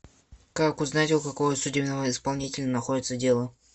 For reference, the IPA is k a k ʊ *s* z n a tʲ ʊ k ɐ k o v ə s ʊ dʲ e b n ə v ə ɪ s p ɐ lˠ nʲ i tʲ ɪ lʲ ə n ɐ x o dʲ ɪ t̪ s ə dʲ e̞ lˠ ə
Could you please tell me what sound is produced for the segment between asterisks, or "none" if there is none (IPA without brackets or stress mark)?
none